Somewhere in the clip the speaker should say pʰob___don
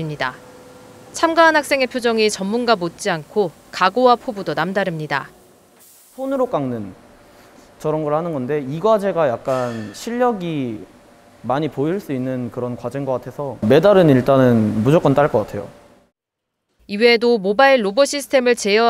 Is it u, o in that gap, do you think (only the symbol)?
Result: u